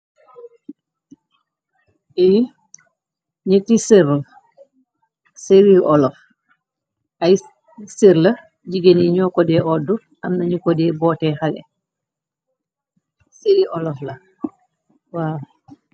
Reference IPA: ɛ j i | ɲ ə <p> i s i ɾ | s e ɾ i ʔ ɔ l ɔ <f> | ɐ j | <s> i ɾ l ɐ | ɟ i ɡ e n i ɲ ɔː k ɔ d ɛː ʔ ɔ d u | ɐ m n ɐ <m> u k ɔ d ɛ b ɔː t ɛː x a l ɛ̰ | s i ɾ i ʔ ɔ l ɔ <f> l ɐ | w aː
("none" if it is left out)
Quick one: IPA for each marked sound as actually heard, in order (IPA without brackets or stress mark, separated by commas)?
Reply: t, f, s, ɲ, f